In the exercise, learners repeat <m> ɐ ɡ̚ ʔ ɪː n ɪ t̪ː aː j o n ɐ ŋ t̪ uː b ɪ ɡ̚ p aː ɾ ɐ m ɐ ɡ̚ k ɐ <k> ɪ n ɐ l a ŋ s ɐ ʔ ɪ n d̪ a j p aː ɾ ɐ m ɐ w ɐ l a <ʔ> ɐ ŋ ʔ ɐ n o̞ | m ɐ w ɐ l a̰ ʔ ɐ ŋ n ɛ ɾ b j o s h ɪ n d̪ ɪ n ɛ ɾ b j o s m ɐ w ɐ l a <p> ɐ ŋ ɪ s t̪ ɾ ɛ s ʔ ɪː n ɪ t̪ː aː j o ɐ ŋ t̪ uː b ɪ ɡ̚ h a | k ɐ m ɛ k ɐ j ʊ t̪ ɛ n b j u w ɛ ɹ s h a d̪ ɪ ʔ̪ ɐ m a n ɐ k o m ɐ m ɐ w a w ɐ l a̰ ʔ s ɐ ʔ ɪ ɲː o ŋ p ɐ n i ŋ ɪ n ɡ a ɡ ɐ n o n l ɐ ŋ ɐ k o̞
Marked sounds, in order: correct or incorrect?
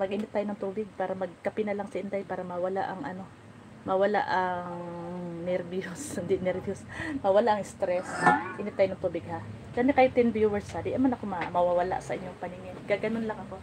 correct, incorrect: p, correct, incorrect: ʔ

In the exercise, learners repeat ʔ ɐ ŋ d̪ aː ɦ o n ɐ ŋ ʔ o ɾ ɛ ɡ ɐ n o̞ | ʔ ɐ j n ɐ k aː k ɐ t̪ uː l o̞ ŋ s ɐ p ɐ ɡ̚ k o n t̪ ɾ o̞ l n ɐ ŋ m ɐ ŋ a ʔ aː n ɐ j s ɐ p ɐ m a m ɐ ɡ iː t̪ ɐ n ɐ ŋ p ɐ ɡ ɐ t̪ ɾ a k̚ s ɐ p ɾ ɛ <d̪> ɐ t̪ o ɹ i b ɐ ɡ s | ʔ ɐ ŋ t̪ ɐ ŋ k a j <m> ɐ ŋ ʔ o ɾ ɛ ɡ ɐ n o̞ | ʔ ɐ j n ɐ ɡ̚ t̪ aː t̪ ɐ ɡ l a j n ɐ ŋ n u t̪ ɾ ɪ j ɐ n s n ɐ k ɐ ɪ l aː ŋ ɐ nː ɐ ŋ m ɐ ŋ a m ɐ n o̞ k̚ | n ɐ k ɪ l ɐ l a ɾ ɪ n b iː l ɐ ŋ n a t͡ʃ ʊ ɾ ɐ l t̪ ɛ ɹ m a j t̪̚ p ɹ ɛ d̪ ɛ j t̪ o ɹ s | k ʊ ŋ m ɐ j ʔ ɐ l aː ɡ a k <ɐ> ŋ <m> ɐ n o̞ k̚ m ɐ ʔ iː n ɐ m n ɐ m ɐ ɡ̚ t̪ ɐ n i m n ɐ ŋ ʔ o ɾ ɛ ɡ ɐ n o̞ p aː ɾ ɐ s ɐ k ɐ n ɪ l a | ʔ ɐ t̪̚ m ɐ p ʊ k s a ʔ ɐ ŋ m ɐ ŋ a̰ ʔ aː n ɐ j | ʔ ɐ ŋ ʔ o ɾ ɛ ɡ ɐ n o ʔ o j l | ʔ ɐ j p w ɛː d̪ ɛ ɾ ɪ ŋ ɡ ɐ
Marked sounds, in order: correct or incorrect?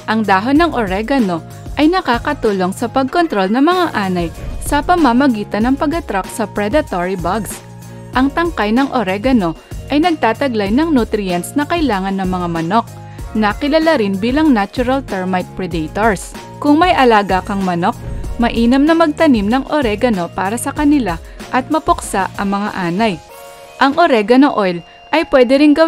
correct, incorrect: n, correct, correct

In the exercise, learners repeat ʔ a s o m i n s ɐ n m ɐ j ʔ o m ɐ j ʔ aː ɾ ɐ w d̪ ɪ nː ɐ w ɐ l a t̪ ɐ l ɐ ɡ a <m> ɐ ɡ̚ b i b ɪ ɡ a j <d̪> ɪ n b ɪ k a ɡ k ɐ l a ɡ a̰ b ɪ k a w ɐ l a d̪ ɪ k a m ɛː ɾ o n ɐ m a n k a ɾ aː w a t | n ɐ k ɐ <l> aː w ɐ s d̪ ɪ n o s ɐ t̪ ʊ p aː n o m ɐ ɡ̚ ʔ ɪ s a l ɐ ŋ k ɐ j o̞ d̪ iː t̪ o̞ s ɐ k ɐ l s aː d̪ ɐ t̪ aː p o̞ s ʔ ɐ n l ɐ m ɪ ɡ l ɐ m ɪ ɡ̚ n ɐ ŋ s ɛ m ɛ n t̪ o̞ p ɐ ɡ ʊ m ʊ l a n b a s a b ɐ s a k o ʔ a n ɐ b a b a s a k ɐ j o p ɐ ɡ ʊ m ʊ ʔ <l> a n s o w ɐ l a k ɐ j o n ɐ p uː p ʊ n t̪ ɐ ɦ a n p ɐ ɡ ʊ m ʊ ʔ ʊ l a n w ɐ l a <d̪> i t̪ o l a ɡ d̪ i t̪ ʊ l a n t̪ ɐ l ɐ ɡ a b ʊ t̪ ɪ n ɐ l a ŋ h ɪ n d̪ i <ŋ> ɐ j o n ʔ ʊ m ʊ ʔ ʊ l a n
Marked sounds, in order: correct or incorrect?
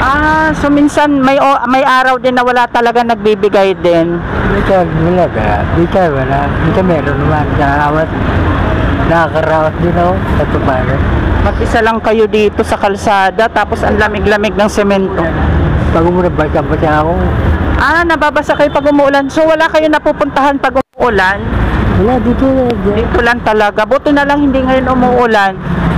incorrect: n, correct, incorrect: ɾ, correct, correct, correct

